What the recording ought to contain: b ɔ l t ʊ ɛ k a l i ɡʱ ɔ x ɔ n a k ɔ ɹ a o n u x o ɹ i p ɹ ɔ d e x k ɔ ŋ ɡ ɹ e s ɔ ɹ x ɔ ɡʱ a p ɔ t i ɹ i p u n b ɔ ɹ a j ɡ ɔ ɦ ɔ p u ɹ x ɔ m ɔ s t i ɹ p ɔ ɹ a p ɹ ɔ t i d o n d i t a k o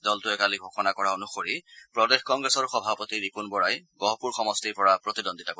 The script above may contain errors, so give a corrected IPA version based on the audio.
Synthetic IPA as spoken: d ɔ l t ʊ ɛ k a l i ɡʱ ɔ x ɔ n a k ɔ ɹ a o n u x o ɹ i p ɹ ɔ d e x k ɔ ŋ ɡ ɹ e s ɔ ɹ x ɔ bʱ a p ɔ t i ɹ i p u n b ɔ ɹ a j ɡ ɔ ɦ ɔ p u ɹ x ɔ m ɔ s t i ɹ p ɔ ɹ a p ɹ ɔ t i d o n d i t a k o

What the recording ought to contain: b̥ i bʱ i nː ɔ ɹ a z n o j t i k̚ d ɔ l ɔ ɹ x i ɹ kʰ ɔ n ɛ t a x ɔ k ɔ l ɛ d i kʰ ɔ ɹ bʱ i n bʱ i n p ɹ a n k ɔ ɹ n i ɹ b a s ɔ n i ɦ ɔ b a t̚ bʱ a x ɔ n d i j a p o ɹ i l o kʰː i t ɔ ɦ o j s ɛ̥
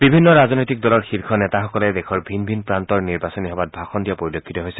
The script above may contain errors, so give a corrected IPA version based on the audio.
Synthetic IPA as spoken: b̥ i bʱ i nː ɔ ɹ a z n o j t i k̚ d ɔ l ɔ ɹ x i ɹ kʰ ɔ n ɛ t a x ɔ k ɔ l ɛ d ɛ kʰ ɔ ɹ bʱ i n bʱ i n p ɹ a n t ɔ ɹ n i ɹ b a s ɔ n i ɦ ɔ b a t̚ bʱ a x ɔ n d i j a p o ɹ i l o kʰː i t ɔ ɦ o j s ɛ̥

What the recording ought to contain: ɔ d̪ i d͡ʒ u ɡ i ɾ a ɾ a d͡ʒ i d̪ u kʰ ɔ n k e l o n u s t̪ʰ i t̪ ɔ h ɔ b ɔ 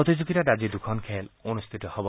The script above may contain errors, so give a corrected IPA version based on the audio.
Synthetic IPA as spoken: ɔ t̪ i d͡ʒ u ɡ i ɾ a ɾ a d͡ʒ i d̪ u kʰ ɔ n kʰ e l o n u s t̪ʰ i t̪ ɔ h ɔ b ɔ

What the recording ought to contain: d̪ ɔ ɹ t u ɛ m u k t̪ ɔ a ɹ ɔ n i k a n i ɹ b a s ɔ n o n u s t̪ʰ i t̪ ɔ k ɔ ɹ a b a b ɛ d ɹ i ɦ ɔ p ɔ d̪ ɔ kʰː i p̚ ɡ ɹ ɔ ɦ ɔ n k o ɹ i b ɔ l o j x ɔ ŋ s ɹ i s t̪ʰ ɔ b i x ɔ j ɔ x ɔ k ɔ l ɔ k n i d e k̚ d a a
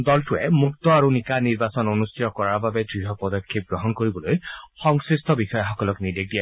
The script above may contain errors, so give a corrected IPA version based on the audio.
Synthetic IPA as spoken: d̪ ɔ l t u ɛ m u k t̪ ɔ a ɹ u n i k a n i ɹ b a s ɔ n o n u s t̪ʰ i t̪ ɔ k ɔ ɹ a b a b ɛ d ɹ i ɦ ɔ p ɔ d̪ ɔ kʰː i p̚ ɡ ɹ ɔ ɦ ɔ n k o ɹ i b ɔ l o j x ɔ ŋ s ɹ i s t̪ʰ ɔ b i x ɔ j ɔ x ɔ k ɔ l ɔ k n i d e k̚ d i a

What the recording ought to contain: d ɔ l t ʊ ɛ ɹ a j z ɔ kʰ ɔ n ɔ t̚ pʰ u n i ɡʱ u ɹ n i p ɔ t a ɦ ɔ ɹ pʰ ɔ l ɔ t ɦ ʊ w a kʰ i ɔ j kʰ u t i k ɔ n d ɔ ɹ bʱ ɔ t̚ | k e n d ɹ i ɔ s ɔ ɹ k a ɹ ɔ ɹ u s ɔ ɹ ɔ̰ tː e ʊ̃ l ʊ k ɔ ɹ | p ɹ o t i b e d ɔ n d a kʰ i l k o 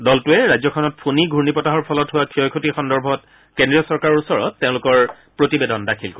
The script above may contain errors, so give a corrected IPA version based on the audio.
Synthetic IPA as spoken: d ɔ l t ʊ ɛ ɹ a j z ɔ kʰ ɔ n ɔ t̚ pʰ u n i ɡʱ u ɹ n i p ɔ t a ɦ ɔ ɹ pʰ ɔ l ɔ t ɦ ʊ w a kʰ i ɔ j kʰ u t i x ɔ n d ɔ ɹ bʱ ɔ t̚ | k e n d ɹ i ɔ s ɔ ɹ k a ɹ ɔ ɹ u s ɔ ɹ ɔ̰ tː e ʊ̃ l ʊ k ɔ ɹ | p ɹ o t i b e d ɔ n d a kʰ i l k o

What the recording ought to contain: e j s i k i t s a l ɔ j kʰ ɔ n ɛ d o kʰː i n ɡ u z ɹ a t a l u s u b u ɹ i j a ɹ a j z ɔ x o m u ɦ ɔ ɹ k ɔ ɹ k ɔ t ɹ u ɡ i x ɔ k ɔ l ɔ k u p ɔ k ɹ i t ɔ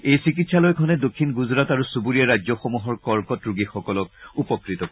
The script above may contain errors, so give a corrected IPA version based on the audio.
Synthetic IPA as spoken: e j s i k i t s a l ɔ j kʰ ɔ n ɛ d o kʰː i n ɡ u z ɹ a t a ɹ u s u b u ɹ i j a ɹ a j z ɔ x o m u ɦ ɔ ɹ k ɔ ɹ k ɔ t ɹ u ɡ i x ɔ k ɔ l ɔ k u p ɔ k ɹ i t ɔ

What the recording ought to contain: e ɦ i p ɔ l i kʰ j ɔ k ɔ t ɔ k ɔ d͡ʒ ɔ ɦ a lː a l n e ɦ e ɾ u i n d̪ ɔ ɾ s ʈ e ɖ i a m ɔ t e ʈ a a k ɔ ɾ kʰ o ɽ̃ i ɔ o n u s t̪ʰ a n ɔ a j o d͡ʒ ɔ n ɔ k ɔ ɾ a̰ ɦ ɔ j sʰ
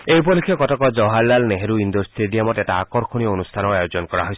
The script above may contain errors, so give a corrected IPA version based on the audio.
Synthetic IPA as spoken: e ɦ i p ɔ l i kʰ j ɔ k ɔ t ɔ k ɔ d͡ʒ ɔ ɦ a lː a l n e ɦ e ɾ u i n d̪ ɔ ɾ s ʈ e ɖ i a m ɔ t e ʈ a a k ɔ ɾ kʰ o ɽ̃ i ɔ o n u s t̪ʰ a n ɔ a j o d͡ʒ ɔ n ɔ k ɔ ɾ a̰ ɦ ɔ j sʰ

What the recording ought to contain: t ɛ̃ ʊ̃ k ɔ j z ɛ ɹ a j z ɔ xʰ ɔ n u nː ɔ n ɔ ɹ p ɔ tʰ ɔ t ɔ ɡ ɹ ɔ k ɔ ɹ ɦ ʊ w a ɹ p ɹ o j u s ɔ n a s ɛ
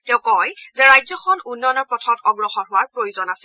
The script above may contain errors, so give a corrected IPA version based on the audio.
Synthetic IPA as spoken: t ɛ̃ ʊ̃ k ɔ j z ɛ ɹ a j z ɔ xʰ ɔ n u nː ɔ n ɔ ɹ p ɔ tʰ ɔ t ɔ ɡ ɹ ɔ x ɔ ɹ ɦ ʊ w a ɹ p ɹ o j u z ɔ n a s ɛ

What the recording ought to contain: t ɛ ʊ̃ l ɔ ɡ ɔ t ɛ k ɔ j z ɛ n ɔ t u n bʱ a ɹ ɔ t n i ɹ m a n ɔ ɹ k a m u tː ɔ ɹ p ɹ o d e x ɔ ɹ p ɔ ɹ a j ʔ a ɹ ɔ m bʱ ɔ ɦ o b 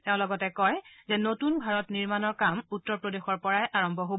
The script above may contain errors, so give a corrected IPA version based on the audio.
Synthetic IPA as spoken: t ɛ ʊ̃ l ɔ ɡ ɔ t ɛ k ɔ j z ɛ n o t u n bʱ a ɹ ɔ t n i ɹ m a n ɔ ɹ k a m u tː ɔ ɹ p ɹ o d e x ɔ ɹ p ɔ ɹ a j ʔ a ɹ ɔ m bʱ ɔ ɦ o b

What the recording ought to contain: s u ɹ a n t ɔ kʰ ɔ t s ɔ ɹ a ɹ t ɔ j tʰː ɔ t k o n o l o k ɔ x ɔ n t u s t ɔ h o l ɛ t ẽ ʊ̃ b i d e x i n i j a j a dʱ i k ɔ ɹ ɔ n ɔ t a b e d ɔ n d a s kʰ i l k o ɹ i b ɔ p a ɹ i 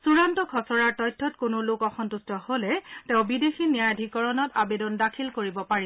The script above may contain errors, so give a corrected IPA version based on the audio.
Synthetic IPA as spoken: s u ɹ a n t ɔ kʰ ɔ s ɔ ɹ a ɹ t ɔ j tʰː ɔ t k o n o l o k ɔ x ɔ n t u s t ɔ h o l ɛ t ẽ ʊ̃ b i d e x i n i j a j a dʱ i k ɔ ɹ ɔ n ɔ t a b e d ɔ n d a kʰ i l k o ɹ i b ɔ p a ɹ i

